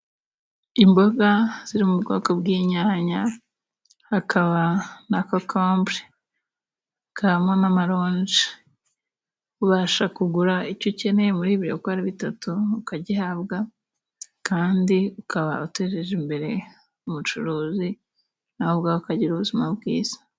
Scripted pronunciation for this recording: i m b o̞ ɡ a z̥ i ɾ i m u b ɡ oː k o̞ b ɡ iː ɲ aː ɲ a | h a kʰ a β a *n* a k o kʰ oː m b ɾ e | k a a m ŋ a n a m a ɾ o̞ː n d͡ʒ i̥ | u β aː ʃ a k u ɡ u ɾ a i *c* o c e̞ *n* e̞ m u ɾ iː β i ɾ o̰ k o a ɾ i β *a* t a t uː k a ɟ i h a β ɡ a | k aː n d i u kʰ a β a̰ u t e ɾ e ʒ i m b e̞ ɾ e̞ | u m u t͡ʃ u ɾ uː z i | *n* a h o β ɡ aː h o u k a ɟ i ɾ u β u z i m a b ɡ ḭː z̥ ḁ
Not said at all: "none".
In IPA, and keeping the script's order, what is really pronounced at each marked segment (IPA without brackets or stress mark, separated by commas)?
n, c, n, i, n